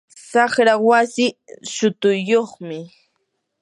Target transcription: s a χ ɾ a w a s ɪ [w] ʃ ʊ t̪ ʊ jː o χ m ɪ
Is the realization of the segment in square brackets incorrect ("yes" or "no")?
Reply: yes